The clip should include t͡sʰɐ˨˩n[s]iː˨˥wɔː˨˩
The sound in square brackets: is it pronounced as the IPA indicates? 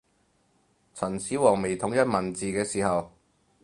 yes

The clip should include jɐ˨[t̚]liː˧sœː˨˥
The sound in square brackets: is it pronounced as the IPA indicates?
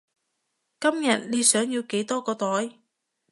yes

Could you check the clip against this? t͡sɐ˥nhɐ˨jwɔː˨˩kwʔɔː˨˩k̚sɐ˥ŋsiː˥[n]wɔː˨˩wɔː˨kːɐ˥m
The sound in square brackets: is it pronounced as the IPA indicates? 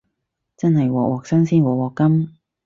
yes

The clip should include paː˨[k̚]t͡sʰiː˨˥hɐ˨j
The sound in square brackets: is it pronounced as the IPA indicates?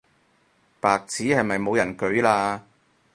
yes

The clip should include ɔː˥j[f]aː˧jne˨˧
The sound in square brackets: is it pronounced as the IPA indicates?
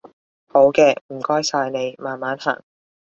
no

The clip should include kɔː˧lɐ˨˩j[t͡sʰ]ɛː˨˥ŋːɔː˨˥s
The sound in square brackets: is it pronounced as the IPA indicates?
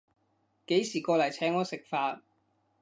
yes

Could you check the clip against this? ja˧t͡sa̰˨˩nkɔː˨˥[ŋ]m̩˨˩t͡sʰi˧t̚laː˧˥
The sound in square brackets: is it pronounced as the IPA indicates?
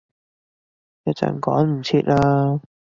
no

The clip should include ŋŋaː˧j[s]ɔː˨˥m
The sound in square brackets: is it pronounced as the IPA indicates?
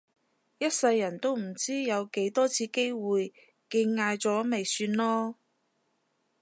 no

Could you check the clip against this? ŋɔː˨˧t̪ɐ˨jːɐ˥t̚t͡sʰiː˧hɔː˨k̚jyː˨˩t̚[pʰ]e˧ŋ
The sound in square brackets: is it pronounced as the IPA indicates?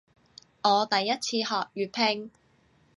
yes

